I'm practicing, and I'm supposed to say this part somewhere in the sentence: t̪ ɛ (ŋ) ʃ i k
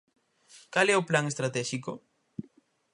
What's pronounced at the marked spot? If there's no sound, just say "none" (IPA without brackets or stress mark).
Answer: none